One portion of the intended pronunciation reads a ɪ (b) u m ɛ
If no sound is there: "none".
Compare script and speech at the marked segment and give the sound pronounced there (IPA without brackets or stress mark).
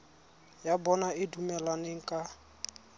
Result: d